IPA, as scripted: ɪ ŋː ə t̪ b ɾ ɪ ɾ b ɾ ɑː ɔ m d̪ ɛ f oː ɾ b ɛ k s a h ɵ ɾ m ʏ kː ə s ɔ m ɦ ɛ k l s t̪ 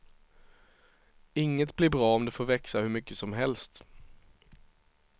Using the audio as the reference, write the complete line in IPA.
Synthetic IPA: ɪ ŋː ə t̪ b l ɪ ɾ b ɾ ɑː ɔ m d̪ ɛ f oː ɾ v ɛ k s a h ɵ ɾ m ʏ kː ə s ɔ m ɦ ɛ l s t̪